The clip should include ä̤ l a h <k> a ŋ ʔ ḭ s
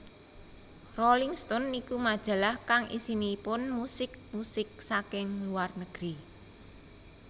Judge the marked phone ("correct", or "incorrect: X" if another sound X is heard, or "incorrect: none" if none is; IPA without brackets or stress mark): correct